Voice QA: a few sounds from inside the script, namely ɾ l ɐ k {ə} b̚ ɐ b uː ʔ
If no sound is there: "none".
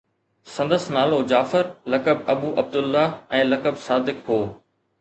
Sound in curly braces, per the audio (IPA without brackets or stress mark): ə